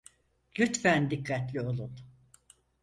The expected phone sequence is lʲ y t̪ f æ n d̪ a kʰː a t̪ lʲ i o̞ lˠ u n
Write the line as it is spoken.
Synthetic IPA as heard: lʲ y t̪ f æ n d̪ i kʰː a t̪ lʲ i o̞ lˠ u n